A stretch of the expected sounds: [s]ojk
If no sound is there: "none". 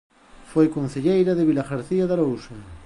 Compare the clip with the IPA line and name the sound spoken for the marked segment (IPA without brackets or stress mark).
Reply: f